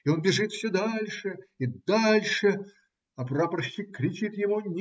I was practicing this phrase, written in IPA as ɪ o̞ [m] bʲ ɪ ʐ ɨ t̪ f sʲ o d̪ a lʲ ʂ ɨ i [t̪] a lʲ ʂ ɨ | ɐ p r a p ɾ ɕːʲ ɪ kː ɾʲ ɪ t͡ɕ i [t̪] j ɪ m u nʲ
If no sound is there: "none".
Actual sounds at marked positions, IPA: n, d̪, t̪

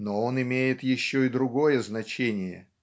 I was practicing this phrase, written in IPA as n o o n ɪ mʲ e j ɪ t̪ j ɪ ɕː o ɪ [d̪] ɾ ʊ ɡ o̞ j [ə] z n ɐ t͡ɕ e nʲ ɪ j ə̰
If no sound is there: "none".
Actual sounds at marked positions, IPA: d̪, ə

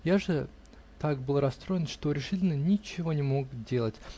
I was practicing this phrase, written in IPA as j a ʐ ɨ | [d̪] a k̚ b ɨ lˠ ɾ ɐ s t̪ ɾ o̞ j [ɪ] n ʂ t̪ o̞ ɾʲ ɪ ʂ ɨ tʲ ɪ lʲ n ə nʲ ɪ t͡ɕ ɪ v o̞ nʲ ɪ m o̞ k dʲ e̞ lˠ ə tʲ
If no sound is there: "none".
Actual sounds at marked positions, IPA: t̪, ɪ

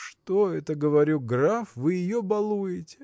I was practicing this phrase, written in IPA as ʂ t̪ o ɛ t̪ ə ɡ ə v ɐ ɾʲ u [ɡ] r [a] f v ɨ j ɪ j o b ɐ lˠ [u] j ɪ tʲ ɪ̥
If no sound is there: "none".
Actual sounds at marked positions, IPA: ɡ, a, u

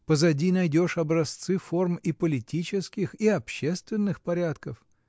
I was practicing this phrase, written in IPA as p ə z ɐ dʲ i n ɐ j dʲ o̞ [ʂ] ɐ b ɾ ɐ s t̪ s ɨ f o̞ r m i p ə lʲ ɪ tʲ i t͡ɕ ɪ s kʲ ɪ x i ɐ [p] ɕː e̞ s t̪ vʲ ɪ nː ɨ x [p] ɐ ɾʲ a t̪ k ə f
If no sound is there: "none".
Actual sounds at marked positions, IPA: ʂ, p, p

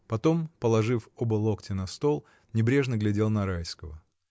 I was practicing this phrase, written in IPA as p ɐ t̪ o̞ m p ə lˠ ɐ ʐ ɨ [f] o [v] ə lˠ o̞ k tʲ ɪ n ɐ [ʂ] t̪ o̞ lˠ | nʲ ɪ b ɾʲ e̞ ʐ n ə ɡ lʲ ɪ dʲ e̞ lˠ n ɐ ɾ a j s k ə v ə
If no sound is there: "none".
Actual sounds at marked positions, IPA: f, b, s

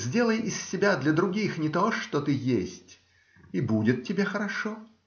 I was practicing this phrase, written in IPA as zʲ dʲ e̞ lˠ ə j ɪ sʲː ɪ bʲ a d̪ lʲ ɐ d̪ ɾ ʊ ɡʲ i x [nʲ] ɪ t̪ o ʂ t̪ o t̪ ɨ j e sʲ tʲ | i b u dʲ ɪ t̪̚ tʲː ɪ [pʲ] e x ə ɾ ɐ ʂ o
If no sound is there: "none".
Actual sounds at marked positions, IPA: nʲ, bʲ

